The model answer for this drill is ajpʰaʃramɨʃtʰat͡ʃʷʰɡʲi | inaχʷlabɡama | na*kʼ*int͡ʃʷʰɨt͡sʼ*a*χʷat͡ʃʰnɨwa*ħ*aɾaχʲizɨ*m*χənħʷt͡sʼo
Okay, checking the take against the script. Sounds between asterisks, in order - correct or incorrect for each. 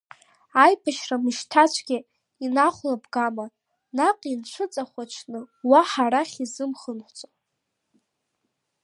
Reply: incorrect: qʼ, correct, correct, correct

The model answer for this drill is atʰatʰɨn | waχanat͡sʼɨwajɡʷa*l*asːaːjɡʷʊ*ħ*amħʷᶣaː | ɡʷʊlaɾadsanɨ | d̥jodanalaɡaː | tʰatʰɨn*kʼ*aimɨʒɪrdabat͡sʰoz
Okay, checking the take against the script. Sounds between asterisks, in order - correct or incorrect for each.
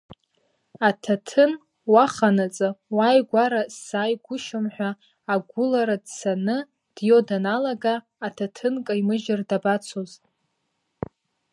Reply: incorrect: ɾ, incorrect: ʃ, correct

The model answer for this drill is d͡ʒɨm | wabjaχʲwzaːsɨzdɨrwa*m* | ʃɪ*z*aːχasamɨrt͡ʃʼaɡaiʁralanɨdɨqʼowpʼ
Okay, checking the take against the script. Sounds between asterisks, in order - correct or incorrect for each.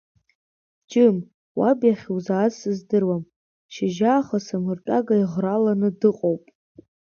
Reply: correct, incorrect: ʒ

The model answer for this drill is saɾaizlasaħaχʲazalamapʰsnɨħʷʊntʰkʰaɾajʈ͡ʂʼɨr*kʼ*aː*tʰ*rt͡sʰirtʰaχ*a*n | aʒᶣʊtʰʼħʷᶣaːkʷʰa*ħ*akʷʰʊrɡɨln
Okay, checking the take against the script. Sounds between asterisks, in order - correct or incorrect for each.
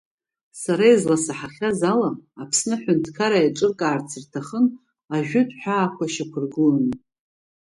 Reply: correct, incorrect: none, incorrect: ə, incorrect: ʃ

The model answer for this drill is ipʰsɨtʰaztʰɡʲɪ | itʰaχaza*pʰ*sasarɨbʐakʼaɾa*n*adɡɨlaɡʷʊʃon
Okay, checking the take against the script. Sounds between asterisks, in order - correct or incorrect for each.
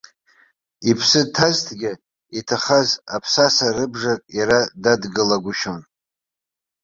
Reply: correct, incorrect: d

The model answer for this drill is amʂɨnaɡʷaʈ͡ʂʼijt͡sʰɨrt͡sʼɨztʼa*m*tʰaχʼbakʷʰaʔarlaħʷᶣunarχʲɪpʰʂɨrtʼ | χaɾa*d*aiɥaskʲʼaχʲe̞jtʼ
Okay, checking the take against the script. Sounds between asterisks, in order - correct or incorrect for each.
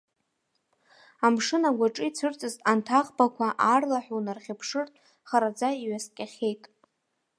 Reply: incorrect: n, incorrect: d͡z

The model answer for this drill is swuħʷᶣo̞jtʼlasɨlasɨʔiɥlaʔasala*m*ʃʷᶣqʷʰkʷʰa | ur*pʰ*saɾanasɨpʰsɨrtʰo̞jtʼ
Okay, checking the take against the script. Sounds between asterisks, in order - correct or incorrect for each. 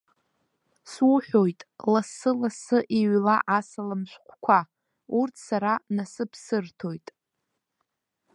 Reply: correct, incorrect: tʰ

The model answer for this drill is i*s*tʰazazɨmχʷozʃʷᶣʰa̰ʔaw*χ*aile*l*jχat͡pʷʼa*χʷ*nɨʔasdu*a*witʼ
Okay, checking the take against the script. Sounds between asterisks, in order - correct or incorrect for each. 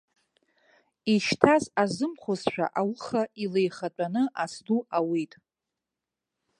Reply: incorrect: ʃ, correct, incorrect: none, incorrect: none, correct

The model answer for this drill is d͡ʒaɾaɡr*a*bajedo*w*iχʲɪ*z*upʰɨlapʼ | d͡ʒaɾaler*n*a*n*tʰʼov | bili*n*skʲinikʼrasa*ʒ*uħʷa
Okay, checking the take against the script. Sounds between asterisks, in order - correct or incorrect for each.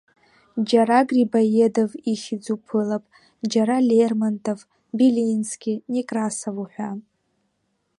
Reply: incorrect: i, incorrect: v, incorrect: d͡z, incorrect: m, correct, correct, incorrect: v

